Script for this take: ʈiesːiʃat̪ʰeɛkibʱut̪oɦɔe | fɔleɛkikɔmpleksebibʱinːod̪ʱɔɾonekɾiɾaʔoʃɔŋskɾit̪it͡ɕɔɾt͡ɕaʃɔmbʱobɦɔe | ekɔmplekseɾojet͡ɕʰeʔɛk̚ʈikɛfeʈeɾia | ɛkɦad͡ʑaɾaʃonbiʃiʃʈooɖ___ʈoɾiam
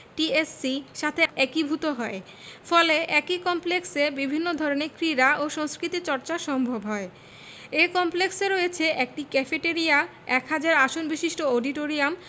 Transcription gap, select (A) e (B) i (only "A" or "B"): B